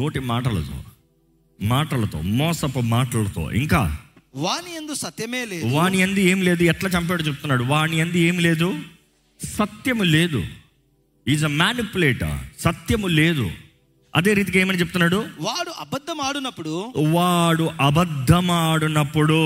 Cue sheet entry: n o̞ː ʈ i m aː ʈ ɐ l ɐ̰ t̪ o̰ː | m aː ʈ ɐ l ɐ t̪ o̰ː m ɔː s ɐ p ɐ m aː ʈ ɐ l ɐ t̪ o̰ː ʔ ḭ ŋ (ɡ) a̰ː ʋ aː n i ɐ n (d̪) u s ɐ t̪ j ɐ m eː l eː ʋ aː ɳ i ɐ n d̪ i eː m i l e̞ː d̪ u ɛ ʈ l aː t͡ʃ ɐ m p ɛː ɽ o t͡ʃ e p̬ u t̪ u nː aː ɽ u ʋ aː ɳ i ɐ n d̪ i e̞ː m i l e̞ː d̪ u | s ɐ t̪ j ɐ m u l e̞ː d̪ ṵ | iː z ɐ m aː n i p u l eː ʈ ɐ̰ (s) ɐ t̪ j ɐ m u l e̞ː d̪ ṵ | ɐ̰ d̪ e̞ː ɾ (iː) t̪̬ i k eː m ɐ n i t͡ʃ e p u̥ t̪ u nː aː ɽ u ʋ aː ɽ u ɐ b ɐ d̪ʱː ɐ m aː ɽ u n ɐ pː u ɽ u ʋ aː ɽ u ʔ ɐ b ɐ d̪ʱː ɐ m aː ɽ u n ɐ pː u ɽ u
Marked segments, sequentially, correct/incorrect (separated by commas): incorrect, correct, correct, correct